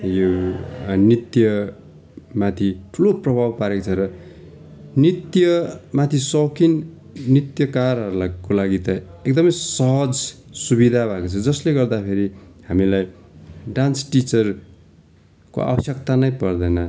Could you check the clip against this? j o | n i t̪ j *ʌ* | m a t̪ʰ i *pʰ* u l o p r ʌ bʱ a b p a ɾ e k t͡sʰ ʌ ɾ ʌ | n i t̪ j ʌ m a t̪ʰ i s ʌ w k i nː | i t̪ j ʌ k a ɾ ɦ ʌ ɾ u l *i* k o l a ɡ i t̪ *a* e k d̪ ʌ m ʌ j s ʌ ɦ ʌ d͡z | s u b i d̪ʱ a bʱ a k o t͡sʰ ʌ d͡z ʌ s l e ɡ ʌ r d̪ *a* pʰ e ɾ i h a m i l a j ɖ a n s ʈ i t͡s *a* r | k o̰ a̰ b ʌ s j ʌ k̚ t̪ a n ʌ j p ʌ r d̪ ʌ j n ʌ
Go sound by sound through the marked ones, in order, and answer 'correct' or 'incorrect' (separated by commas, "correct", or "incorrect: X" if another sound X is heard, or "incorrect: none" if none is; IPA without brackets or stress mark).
correct, incorrect: ʈʰ, incorrect: a, incorrect: ʌ, correct, incorrect: ʌ